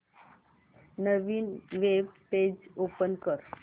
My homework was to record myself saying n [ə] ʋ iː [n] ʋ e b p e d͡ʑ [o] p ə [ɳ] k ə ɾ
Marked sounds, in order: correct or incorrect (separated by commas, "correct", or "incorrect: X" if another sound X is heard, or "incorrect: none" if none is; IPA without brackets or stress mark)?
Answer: correct, correct, correct, incorrect: n